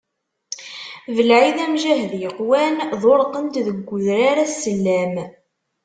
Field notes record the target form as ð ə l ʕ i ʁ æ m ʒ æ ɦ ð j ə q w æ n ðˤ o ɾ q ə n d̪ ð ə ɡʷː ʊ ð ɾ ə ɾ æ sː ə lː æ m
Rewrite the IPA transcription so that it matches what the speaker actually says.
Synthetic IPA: v ə l ʕ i ð æ m ʒ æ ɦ ð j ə q w æ n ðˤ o ɾ q ə n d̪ ð ə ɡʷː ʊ ð ɾ a ɾ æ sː ə lː æ m